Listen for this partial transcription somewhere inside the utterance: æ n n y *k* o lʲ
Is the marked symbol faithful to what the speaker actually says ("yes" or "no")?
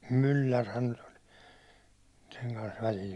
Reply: no